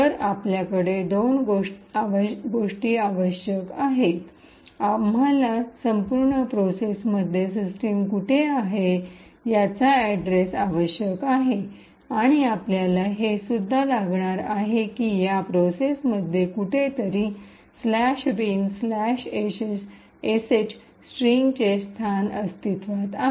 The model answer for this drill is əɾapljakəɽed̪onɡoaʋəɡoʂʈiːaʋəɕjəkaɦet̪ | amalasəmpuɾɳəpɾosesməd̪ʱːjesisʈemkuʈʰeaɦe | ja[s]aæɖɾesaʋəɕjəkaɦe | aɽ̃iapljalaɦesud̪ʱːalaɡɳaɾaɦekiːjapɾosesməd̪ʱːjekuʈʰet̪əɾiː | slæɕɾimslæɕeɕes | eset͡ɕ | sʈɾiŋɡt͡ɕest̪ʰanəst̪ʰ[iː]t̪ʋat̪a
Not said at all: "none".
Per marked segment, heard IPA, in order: t͡s, i

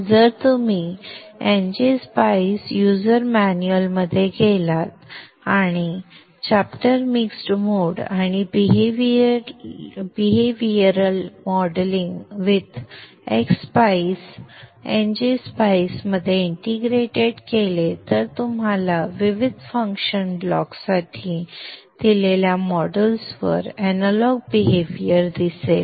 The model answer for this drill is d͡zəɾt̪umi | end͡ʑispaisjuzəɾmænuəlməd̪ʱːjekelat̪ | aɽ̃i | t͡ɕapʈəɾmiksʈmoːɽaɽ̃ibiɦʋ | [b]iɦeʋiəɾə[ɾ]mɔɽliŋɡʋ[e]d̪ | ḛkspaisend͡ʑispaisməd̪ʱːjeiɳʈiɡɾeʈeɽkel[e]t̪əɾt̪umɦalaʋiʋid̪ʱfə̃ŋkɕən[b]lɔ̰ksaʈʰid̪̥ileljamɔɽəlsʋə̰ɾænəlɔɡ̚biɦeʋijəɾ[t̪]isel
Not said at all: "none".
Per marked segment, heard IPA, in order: b, l, i, e, b, d̪

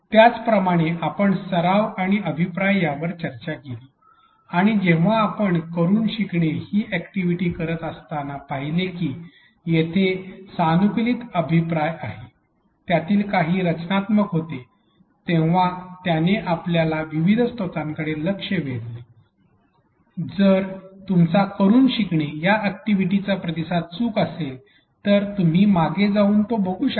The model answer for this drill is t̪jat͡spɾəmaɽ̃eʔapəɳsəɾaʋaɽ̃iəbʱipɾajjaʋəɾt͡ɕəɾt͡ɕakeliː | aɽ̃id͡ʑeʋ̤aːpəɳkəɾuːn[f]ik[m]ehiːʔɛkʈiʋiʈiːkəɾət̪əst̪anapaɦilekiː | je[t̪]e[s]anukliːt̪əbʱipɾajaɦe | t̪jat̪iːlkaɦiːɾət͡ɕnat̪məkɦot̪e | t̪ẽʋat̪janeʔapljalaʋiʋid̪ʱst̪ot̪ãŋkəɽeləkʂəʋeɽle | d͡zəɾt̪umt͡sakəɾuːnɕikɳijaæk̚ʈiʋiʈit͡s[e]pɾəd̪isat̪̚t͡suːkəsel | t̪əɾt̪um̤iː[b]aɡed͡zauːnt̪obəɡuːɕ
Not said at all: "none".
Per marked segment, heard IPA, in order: ɕ, ɳ, t̪ʰ, s, a, m

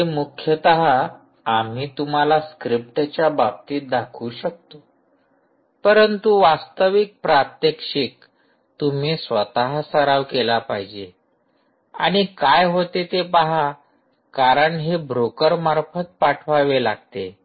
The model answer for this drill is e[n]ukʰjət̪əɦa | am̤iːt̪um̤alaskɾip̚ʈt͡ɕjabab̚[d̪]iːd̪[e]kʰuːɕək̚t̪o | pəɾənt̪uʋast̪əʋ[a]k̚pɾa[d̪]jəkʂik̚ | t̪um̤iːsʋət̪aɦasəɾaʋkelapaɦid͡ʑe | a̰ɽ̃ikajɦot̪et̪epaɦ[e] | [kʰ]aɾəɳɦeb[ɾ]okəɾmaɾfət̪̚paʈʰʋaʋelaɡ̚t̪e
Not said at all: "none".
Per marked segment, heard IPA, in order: m, t̪, a, i, t̪, a, k, ɾ

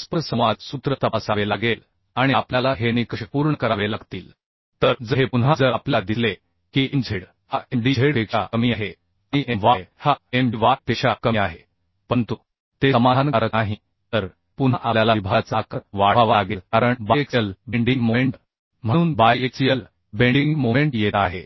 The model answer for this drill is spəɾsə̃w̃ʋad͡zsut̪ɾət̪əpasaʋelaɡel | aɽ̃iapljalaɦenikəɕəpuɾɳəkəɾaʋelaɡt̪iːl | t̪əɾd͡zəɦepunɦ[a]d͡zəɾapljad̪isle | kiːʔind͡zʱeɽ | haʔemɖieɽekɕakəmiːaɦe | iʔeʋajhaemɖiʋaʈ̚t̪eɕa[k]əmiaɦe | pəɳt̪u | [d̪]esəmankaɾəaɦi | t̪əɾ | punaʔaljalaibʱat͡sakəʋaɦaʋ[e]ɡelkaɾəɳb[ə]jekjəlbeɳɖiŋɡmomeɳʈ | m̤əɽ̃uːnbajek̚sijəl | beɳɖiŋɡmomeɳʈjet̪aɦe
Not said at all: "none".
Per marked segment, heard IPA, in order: a, k, t̪, a, a

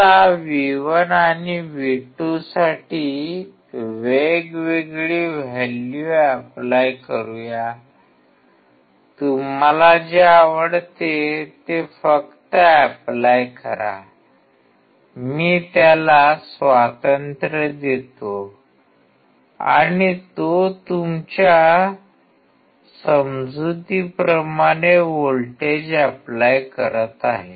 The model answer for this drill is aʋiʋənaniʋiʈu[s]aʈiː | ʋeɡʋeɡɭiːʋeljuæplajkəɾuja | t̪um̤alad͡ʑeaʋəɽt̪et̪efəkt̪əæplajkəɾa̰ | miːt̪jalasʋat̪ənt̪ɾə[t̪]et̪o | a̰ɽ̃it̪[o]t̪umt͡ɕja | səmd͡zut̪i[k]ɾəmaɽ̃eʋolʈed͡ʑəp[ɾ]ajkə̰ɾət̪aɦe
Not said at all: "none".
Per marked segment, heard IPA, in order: s, d̪, o, p, l

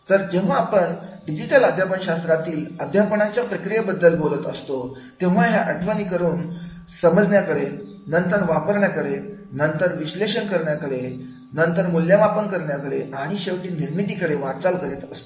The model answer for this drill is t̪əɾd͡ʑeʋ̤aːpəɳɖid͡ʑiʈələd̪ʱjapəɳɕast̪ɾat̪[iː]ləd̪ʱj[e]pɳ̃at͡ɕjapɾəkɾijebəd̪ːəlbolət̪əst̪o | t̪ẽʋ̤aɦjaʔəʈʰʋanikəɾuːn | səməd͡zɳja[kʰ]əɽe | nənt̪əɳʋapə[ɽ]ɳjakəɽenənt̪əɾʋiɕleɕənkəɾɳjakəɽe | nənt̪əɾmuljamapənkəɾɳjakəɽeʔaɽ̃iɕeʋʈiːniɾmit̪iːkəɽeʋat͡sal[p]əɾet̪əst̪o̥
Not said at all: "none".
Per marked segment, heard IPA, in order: iː, a, k, ɾ, k

